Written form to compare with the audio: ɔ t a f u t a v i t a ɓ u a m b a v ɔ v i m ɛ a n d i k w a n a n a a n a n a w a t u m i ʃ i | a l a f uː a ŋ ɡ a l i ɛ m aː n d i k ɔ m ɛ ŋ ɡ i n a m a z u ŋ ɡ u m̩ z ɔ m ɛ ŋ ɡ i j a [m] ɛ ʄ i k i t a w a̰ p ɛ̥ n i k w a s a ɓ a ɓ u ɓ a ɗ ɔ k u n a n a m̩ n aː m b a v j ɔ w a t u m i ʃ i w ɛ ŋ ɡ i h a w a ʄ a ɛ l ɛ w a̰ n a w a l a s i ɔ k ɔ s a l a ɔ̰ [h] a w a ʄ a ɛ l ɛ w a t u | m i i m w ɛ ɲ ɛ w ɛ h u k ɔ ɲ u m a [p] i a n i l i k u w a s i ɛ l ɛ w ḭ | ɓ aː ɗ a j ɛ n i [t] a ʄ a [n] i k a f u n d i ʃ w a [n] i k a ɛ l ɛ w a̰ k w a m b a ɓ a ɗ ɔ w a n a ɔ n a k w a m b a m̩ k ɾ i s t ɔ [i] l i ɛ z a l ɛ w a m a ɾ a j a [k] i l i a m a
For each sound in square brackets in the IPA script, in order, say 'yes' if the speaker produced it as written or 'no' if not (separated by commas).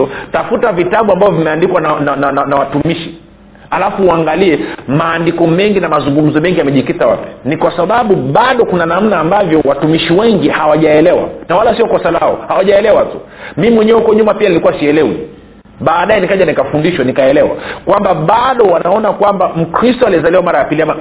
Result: yes, yes, yes, no, yes, yes, no, no